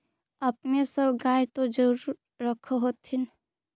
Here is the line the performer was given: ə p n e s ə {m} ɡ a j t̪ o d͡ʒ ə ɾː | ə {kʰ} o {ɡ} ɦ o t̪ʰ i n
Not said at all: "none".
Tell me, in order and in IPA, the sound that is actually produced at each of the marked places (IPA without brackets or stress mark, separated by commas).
b, kʰ, none